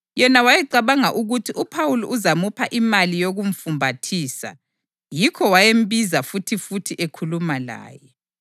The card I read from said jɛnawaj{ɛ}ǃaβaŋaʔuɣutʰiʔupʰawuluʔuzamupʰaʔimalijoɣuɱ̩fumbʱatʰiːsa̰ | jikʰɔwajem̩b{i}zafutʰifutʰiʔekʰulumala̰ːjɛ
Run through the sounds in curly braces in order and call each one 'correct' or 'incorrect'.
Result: correct, correct

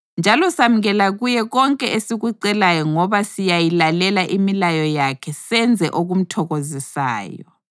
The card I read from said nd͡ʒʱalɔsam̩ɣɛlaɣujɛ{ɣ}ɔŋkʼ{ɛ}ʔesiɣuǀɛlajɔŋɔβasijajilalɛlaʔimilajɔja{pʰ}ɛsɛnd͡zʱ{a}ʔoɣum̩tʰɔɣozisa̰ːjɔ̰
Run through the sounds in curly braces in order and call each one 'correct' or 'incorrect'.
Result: correct, correct, incorrect, incorrect

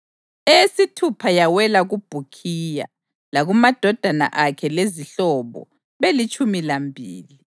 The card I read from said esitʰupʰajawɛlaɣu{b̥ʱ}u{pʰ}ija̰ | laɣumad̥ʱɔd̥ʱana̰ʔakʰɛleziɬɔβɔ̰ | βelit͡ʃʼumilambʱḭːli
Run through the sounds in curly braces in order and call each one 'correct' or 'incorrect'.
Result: correct, incorrect

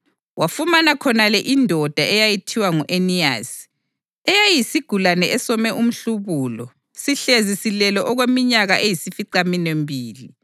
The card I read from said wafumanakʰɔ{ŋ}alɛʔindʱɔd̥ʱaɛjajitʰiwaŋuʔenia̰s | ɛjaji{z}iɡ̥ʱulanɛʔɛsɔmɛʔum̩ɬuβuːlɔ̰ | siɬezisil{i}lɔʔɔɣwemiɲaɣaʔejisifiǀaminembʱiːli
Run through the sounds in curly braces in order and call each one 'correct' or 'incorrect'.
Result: incorrect, incorrect, incorrect

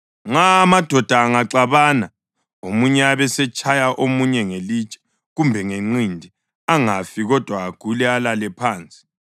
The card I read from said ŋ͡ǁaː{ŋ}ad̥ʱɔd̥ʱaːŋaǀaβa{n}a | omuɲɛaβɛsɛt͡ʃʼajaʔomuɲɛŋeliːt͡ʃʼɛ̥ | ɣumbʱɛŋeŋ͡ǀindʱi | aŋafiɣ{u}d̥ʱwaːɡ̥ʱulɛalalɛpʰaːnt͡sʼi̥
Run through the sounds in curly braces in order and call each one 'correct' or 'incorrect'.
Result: incorrect, correct, incorrect

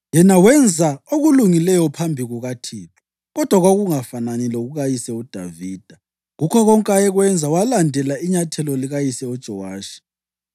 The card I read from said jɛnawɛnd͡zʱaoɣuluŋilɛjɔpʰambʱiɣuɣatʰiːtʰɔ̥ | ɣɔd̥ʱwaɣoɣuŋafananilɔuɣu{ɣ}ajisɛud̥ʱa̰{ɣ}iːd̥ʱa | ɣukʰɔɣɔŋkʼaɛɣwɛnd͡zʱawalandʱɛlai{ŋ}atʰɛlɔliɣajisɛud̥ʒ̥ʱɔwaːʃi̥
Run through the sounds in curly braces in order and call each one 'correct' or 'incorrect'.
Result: correct, incorrect, incorrect

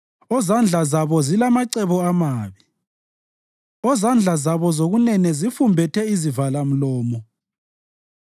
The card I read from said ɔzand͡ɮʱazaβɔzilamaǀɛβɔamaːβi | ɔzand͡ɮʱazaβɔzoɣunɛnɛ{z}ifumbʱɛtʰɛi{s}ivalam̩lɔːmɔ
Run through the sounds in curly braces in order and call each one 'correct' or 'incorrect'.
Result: correct, incorrect

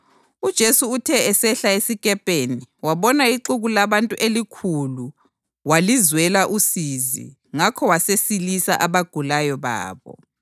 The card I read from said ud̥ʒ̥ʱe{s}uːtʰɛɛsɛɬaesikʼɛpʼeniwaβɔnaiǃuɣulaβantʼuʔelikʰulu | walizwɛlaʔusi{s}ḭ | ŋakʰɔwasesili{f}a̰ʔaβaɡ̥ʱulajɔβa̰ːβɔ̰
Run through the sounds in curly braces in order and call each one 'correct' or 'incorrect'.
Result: correct, incorrect, incorrect

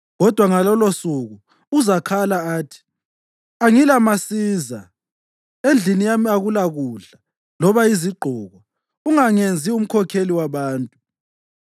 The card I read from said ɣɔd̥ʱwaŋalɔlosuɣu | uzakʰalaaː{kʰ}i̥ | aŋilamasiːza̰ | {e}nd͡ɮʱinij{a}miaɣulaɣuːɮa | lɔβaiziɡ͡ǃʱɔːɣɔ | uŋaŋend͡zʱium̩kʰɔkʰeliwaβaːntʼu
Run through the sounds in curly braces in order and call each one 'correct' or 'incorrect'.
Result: incorrect, correct, correct

